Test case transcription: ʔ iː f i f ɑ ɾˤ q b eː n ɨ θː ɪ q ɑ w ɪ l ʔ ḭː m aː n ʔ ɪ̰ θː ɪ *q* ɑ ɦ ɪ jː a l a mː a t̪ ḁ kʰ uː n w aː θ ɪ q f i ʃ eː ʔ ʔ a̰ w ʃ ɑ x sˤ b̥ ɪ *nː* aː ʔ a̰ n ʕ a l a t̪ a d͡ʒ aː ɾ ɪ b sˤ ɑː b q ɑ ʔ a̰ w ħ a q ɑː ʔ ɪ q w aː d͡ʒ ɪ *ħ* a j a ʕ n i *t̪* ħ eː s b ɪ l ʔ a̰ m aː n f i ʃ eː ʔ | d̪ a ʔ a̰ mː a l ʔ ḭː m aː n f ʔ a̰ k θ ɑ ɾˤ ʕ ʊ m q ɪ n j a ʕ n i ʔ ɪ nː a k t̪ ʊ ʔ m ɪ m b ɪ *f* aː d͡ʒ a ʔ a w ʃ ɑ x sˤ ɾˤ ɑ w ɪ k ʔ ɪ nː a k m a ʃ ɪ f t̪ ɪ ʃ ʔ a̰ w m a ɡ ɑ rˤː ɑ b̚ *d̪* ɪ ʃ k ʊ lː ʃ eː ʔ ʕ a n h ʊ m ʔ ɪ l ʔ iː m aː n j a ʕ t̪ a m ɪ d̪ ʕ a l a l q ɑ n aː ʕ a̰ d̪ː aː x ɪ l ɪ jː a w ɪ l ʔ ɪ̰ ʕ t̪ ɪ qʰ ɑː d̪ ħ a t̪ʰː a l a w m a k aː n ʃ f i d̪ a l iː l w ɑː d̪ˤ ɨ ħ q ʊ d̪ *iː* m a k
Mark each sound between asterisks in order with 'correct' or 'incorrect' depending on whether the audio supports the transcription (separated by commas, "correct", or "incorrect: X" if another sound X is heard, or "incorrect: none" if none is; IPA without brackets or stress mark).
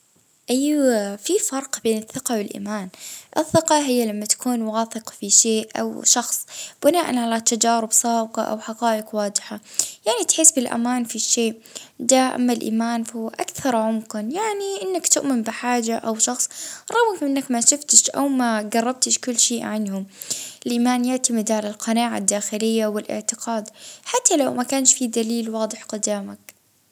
correct, incorrect: n, correct, correct, incorrect: ħ, incorrect: t̪, incorrect: aː